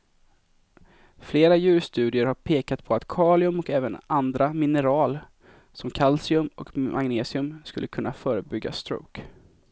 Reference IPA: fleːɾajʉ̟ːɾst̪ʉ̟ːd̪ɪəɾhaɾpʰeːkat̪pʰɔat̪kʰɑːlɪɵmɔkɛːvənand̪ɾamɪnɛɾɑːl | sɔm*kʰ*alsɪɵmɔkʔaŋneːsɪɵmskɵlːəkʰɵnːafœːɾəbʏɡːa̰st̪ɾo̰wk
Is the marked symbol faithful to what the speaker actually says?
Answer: yes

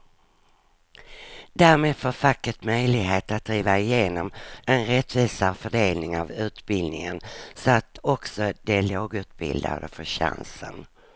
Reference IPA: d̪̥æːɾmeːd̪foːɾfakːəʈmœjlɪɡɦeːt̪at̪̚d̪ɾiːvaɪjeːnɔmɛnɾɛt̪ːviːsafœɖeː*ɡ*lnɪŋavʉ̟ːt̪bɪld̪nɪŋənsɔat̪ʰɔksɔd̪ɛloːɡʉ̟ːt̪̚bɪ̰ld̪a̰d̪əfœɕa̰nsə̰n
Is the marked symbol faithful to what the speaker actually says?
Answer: no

